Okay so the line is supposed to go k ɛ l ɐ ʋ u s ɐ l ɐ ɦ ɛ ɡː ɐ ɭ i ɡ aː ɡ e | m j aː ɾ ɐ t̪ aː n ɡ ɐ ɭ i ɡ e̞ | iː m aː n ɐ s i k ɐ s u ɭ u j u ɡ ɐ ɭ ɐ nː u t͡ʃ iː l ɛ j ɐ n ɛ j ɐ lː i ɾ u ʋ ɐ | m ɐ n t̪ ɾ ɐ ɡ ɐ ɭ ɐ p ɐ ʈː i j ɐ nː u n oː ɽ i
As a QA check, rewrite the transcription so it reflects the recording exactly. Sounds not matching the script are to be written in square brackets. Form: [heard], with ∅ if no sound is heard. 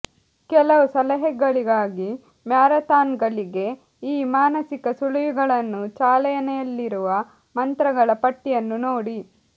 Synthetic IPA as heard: k ɛ l ɐ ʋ u s ɐ l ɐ ɦ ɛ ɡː ɐ ɭ i ɡ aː ɡ [i] | m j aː ɾ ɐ t̪ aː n ɡ ɐ ɭ i ɡ e̞ | iː m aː n ɐ s i k ɐ s u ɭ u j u ɡ ɐ ɭ ɐ nː u t͡ʃ [aː] l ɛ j ɐ n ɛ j ɐ lː i ɾ u ʋ ɐ | m ɐ n t̪ ɾ ɐ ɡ ɐ ɭ ɐ p ɐ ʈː i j ɐ nː u n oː ɽ i

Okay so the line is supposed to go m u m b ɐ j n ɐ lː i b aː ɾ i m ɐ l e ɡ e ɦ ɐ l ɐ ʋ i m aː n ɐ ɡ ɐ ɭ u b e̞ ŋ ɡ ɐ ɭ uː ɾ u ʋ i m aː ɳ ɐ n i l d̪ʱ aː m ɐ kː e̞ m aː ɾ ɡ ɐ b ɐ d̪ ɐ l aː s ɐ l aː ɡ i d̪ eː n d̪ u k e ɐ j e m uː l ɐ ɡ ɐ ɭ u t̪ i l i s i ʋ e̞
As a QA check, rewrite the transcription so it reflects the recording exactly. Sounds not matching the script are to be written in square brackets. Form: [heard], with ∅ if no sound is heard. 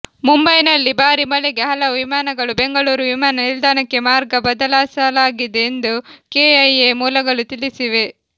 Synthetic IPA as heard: m u m b ɐ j n ɐ lː i b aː ɾ i m ɐ l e ɡ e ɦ ɐ l ɐ ʋ i m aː n ɐ ɡ ɐ ɭ u b e̞ ŋ ɡ ɐ ɭ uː ɾ u ʋ i m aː [n] ɐ n i l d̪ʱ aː [n] ɐ kː e̞ m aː ɾ ɡ ɐ b ɐ d̪ ɐ l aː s ɐ l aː ɡ i d̪ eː n d̪ u k e ɐ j e m uː l ɐ ɡ ɐ ɭ u t̪ i l i s i ʋ e̞

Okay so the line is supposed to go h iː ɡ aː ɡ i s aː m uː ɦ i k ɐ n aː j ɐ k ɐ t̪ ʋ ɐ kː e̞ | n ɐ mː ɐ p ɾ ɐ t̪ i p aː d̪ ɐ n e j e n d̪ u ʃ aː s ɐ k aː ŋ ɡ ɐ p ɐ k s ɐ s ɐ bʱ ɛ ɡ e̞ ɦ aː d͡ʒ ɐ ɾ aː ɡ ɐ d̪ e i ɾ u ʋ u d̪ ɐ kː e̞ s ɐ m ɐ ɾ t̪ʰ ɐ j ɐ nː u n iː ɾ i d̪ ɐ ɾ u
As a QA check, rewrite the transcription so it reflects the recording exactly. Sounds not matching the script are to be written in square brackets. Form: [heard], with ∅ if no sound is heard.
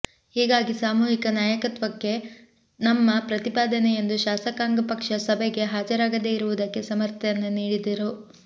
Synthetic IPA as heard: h iː ɡ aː ɡ i s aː m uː ɦ i k ɐ n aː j ɐ k ɐ t̪ ʋ ɐ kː e̞ | n ɐ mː ɐ p ɾ ɐ t̪ i p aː d̪ ɐ n e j e n d̪ u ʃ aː s ɐ k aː ŋ ɡ ɐ p ɐ k [ʂ] ɐ s ɐ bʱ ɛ ɡ e̞ ɦ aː d͡ʒ ɐ ɾ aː ɡ ɐ d̪ e i ɾ u ʋ u d̪ ɐ kː e̞ s ɐ m ɐ ɾ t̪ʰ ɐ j ɐ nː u n iː [ɽ] i d̪ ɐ ɾ u

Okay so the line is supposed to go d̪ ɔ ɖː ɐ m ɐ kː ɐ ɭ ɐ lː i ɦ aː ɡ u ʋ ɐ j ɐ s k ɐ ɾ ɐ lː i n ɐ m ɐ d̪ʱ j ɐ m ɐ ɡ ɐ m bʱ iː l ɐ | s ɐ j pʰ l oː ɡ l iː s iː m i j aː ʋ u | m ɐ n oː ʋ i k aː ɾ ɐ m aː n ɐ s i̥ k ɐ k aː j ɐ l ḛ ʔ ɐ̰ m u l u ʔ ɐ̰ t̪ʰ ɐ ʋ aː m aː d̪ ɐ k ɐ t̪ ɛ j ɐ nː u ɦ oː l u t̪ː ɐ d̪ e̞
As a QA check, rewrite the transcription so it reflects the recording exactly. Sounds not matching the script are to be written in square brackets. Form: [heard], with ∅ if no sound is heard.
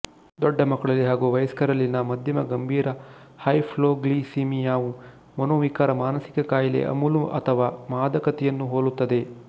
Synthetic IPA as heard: d̪ ɔ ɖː ɐ m ɐ kː ɐ ɭ ɐ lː i ɦ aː ɡ u ʋ ɐ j ɐ s k ɐ ɾ ɐ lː i n ɐ m ɐ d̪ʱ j ɐ m ɐ ɡ ɐ m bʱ iː [ɾ] ɐ | [h] ɐ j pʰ l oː ɡ l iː s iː m i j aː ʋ u | m ɐ n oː ʋ i k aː ɾ ɐ m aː n ɐ s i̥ k ɐ k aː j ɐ l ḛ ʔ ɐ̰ m u l u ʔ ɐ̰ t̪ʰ ɐ ʋ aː m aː d̪ ɐ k ɐ t̪ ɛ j ɐ nː u ɦ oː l u t̪ː ɐ d̪ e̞

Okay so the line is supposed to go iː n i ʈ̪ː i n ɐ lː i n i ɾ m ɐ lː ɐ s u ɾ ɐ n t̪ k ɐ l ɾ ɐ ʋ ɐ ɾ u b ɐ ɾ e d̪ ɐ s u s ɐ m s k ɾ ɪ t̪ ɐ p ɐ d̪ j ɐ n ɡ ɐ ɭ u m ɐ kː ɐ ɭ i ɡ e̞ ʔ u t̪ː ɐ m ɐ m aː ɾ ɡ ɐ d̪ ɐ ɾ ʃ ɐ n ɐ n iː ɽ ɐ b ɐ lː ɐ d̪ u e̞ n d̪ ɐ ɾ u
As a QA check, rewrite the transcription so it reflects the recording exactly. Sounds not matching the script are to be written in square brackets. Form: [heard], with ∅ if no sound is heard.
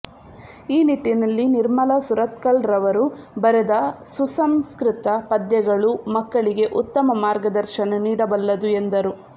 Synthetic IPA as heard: iː n i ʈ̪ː i n ɐ lː i n i ɾ m ɐ [l] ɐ s u ɾ ɐ [∅] t̪ k ɐ l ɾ ɐ ʋ ɐ ɾ u b ɐ ɾ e d̪ ɐ s u s ɐ m s k ɾ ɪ t̪ ɐ p ɐ d̪ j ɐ [∅] ɡ ɐ ɭ u m ɐ kː ɐ ɭ i ɡ e̞ ʔ u t̪ː ɐ m ɐ m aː ɾ ɡ ɐ d̪ ɐ ɾ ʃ ɐ n ɐ n iː ɽ ɐ b ɐ lː ɐ d̪ u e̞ n d̪ ɐ ɾ u

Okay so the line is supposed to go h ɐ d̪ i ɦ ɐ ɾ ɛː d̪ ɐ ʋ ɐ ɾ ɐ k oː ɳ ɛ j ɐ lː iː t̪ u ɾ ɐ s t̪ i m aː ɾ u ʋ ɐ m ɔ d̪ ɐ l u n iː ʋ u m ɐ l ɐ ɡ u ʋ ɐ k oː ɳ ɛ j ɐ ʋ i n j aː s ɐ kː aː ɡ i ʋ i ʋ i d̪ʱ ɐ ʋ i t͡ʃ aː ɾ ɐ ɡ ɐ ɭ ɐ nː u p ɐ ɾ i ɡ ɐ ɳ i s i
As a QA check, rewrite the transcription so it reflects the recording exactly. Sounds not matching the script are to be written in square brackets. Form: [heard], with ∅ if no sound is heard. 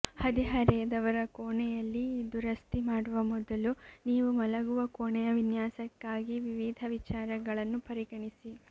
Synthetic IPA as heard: h ɐ d̪ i ɦ ɐ ɾ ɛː d̪ ɐ ʋ ɐ ɾ ɐ k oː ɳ ɛ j ɐ lː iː [d̪] u ɾ ɐ s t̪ i m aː [ɽ] u ʋ ɐ m ɔ d̪ ɐ l u n iː ʋ u m ɐ l ɐ ɡ u ʋ ɐ k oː ɳ ɛ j ɐ ʋ i n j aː s ɐ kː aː ɡ i ʋ i ʋ i d̪ʱ ɐ ʋ i t͡ʃ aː ɾ ɐ ɡ ɐ ɭ ɐ nː u p ɐ ɾ i ɡ ɐ ɳ i s i

